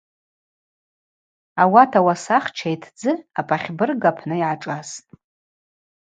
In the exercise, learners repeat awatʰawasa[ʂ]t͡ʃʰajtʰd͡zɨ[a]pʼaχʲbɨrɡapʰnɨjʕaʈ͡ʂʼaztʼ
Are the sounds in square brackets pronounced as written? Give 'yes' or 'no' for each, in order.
no, yes

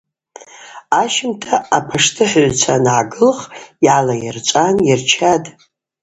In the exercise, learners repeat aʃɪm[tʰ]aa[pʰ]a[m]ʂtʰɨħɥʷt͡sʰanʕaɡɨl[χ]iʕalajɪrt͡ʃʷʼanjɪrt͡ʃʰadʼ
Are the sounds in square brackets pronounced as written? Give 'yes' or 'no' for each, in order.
yes, yes, no, yes

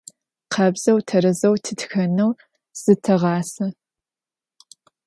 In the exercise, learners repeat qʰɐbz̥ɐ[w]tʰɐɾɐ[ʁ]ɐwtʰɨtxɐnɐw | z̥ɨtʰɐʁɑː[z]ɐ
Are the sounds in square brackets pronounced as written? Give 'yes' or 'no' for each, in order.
yes, no, no

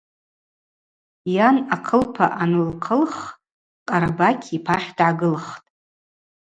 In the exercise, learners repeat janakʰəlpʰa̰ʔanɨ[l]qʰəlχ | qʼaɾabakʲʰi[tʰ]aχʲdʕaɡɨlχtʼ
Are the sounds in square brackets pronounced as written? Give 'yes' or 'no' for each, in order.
yes, no

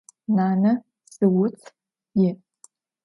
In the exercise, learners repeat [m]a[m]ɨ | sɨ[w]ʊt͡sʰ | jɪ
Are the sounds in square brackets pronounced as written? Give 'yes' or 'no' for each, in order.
no, no, yes

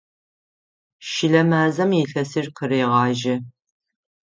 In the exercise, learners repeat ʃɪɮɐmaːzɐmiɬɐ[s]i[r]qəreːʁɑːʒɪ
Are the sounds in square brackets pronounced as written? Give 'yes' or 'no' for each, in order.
yes, yes

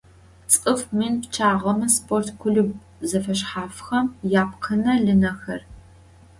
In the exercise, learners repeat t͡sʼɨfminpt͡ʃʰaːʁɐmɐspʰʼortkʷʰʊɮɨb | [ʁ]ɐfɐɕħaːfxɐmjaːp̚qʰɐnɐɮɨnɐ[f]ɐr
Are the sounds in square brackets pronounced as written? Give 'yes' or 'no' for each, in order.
no, no

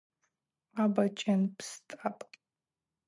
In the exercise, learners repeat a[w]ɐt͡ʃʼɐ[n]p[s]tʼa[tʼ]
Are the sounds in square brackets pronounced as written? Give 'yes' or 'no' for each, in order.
no, yes, yes, no

